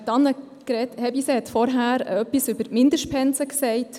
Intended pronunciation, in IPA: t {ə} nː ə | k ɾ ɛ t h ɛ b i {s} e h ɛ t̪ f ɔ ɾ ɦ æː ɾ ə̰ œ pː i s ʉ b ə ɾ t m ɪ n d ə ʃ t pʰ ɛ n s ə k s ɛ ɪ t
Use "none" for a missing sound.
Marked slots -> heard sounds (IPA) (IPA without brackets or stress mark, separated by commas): ɑ, s